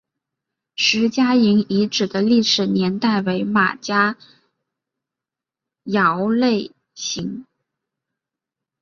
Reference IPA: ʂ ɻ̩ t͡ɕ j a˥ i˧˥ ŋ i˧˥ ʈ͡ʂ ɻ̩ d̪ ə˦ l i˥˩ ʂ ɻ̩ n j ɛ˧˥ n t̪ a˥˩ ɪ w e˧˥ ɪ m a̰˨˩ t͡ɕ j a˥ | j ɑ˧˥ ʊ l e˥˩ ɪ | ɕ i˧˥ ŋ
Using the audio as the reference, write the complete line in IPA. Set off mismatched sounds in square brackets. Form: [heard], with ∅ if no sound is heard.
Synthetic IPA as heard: ʂ ɻ̩ t͡ɕ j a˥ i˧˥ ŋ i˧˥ ʈ͡ʂ ɻ̩ d̪ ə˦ l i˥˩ ʂ ɻ̩ n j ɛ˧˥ n t̪ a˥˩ ɪ w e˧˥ ɪ m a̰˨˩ t͡ɕ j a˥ | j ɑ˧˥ ʊ l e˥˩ ɪ | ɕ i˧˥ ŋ

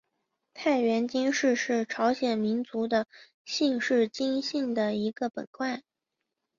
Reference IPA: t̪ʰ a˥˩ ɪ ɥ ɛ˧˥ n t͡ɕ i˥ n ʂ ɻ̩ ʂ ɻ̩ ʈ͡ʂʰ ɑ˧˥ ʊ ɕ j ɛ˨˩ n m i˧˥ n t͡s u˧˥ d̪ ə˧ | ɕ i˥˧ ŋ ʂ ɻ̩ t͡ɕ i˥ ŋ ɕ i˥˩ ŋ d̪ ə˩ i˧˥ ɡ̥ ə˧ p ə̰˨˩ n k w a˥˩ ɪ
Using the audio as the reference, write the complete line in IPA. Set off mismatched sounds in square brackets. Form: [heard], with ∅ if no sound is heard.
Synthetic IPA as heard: t̪ʰ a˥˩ ɪ ɥ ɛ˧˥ n t͡ɕ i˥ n ʂ ɻ̩ ʂ ɻ̩ ʈ͡ʂʰ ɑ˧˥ ʊ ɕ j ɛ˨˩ n m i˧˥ n t͡s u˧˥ d̪ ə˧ | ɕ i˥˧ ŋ ʂ ɻ̩ t͡ɕ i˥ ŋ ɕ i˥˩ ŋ d̪ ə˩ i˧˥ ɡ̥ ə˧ p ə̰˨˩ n k w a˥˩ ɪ

